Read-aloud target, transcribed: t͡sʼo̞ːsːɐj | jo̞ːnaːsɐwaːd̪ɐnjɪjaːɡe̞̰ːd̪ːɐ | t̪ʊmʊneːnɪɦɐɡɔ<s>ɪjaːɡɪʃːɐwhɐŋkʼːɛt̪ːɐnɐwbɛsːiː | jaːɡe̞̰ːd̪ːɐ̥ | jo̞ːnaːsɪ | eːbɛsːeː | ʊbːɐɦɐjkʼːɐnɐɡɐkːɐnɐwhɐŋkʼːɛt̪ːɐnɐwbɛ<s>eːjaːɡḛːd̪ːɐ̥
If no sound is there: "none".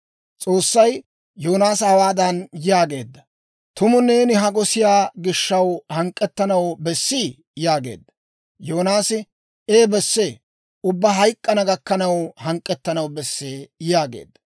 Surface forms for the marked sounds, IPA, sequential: s, sː

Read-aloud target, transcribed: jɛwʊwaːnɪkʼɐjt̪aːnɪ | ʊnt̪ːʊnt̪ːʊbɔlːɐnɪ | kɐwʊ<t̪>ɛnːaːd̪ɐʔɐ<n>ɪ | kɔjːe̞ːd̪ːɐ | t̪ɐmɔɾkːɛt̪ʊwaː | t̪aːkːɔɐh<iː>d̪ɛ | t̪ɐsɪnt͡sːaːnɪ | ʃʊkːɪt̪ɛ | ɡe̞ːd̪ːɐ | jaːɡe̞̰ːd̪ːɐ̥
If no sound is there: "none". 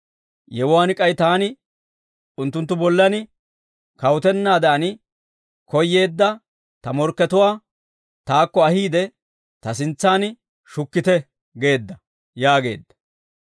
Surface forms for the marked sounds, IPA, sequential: t̪, n, iː

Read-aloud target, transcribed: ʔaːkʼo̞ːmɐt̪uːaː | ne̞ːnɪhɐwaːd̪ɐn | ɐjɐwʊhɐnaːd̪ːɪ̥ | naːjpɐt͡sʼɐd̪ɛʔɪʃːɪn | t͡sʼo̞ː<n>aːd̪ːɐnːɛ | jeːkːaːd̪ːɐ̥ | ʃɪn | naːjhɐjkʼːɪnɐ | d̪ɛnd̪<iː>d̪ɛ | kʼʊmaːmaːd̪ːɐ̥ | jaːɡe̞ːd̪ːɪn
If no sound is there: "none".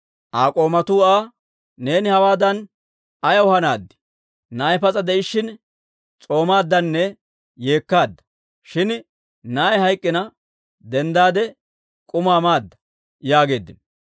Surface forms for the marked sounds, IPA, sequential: m, aː

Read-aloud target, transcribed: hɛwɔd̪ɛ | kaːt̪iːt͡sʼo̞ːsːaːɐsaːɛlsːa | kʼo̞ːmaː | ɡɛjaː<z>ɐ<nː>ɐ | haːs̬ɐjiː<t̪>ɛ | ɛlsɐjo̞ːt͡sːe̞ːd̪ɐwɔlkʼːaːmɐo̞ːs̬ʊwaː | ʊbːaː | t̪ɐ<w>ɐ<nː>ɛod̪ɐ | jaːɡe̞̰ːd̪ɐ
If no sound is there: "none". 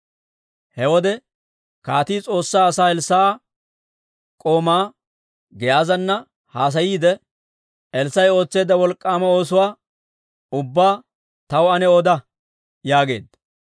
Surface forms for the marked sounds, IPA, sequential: z, nː, d̪, w, n

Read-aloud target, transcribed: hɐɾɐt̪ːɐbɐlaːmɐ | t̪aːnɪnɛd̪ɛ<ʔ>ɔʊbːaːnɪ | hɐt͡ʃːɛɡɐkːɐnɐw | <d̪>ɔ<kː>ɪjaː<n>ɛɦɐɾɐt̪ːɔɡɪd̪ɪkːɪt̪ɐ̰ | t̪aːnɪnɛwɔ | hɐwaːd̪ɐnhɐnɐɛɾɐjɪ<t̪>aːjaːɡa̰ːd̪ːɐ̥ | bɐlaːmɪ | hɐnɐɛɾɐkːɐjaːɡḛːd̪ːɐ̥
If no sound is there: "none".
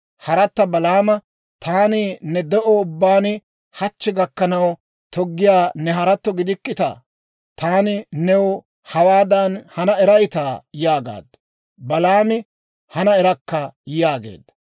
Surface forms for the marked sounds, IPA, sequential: ʔ, t̪, ɡː, n, t̪

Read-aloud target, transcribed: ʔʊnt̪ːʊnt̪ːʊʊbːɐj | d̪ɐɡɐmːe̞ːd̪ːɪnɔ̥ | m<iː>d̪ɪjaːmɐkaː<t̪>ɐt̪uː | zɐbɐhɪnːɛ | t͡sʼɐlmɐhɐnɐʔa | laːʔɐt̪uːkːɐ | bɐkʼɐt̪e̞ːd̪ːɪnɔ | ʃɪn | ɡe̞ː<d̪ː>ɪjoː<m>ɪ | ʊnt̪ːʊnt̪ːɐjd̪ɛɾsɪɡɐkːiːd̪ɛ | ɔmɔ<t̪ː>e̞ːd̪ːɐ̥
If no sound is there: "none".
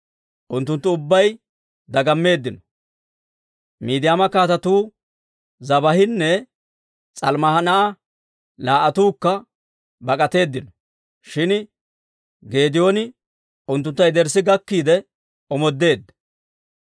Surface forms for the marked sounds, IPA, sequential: iː, t̪, d̪, n, d̪ː

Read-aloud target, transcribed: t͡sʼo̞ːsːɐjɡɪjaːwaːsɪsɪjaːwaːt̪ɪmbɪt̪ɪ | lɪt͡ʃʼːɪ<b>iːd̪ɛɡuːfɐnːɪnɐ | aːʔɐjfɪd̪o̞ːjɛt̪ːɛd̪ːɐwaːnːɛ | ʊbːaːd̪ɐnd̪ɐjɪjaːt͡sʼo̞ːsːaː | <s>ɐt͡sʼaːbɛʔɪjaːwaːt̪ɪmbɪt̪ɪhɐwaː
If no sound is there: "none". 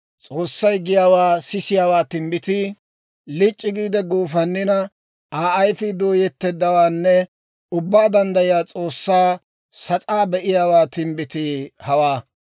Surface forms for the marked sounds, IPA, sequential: ɡ, s

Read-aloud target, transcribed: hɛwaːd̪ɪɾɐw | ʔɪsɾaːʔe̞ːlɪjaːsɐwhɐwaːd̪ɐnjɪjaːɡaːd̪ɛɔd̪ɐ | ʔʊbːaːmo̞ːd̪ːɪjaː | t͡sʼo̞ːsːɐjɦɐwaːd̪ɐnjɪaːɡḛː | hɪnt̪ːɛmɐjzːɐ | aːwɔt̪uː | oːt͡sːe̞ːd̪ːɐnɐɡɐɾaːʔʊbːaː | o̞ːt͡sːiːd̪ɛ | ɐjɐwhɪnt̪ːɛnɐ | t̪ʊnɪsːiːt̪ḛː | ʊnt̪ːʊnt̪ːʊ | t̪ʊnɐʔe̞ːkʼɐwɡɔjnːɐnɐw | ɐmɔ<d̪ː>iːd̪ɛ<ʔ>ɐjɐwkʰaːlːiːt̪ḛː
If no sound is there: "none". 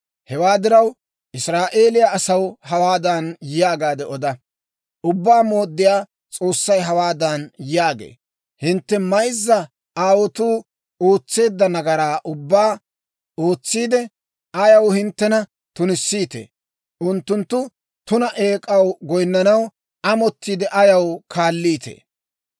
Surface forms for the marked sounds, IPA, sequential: t̪ː, ʔ

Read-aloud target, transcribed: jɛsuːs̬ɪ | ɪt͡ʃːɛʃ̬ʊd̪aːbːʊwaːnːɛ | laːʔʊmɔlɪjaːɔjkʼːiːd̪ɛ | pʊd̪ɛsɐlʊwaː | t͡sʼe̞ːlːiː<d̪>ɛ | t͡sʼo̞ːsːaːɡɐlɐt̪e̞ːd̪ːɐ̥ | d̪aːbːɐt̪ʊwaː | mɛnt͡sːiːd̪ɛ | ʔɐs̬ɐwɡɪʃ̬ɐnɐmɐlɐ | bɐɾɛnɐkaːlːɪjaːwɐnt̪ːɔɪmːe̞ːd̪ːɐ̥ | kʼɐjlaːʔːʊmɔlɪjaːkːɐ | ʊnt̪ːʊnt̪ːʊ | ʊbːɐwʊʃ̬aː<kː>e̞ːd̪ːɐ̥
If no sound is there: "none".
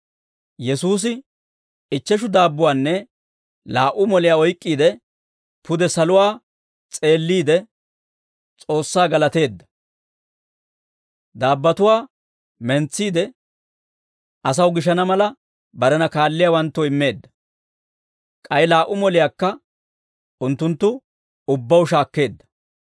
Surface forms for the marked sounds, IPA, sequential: d̪, kː

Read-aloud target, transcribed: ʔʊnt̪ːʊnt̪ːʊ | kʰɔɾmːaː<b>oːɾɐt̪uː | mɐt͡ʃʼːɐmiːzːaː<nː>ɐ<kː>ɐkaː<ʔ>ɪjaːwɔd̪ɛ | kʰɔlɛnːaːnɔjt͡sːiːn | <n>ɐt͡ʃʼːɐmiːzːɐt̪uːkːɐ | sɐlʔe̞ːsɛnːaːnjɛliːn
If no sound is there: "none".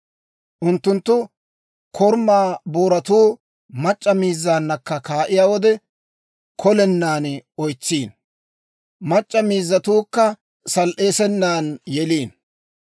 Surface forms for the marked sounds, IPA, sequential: b, nː, kː, ʔ, m

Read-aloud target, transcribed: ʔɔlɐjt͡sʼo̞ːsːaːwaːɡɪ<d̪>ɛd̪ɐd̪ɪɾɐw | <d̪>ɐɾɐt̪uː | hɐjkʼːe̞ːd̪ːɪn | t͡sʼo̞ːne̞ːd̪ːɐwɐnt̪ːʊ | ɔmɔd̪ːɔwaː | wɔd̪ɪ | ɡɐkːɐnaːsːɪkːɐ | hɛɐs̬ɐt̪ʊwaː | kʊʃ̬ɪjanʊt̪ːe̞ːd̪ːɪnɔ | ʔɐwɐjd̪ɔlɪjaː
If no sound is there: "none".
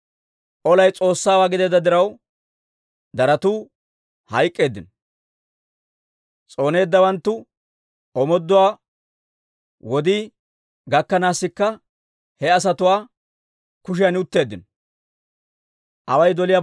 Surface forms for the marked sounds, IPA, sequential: d̪, d̪

